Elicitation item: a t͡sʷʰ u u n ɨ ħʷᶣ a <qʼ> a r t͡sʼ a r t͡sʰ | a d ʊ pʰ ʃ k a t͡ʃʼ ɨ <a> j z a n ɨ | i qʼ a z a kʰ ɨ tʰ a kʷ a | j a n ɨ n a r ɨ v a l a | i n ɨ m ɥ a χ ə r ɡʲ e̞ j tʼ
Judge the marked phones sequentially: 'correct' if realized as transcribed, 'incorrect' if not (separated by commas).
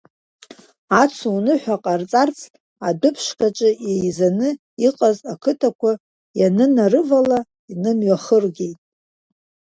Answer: correct, incorrect